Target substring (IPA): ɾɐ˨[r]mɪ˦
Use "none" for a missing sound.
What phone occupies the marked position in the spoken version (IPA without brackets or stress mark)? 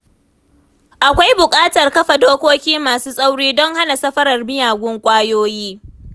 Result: r